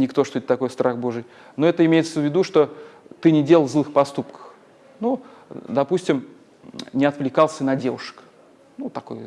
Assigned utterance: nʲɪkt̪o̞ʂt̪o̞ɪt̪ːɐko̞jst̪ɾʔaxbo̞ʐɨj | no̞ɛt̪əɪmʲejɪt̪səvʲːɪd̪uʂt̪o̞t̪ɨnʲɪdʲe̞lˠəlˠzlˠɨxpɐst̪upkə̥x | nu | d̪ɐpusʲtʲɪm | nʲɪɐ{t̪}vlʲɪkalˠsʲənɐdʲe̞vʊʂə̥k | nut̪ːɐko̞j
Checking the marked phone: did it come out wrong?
no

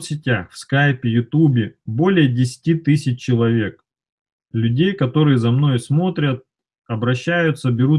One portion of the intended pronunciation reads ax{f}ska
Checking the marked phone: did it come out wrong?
no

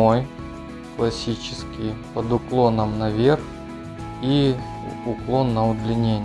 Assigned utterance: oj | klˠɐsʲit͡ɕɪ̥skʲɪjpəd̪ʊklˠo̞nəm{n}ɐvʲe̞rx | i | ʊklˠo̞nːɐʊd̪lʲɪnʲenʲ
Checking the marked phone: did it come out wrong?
no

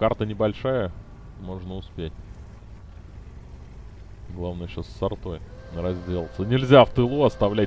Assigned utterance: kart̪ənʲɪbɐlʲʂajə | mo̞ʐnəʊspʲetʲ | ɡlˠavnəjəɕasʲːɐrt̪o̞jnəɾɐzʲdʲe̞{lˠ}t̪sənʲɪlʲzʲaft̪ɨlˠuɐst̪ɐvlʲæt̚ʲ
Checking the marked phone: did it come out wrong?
no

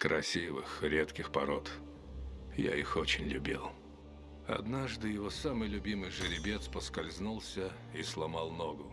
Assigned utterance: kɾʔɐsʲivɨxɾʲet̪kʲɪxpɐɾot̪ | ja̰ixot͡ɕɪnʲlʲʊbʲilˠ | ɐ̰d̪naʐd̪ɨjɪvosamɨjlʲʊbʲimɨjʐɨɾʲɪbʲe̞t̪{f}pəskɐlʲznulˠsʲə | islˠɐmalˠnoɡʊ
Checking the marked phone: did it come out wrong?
yes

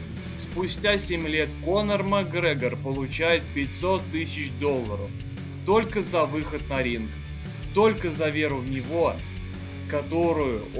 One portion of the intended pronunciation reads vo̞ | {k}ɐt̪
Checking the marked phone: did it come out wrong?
no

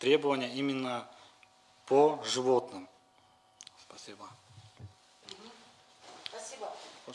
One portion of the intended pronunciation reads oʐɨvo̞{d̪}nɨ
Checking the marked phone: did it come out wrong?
yes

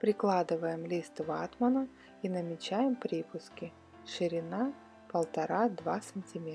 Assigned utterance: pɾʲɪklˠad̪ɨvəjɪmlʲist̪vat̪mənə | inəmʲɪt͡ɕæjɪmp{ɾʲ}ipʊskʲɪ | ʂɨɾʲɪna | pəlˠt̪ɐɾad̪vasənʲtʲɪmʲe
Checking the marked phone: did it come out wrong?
no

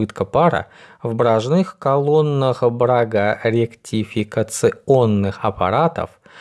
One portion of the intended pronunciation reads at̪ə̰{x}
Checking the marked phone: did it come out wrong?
yes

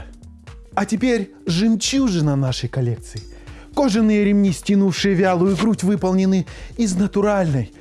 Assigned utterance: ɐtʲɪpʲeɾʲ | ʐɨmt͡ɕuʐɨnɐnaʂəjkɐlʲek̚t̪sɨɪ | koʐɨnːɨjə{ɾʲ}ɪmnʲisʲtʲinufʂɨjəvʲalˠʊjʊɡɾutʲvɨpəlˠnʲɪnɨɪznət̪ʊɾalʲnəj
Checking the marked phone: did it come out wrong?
no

